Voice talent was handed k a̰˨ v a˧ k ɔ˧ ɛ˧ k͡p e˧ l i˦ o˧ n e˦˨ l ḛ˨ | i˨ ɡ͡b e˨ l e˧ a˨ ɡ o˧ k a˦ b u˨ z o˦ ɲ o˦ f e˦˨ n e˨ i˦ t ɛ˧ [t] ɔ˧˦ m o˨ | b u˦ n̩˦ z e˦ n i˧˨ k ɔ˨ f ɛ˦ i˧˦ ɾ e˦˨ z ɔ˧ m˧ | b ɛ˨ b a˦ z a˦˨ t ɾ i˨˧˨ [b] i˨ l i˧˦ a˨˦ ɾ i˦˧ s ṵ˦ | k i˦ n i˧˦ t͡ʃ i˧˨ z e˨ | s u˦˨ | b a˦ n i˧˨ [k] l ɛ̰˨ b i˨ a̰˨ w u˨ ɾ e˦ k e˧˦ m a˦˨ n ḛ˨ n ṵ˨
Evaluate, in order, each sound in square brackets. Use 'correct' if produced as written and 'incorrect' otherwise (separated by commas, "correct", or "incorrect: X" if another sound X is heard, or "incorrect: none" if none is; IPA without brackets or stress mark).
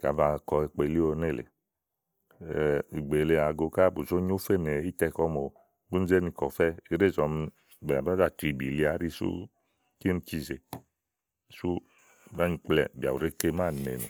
incorrect: k, correct, incorrect: k͡p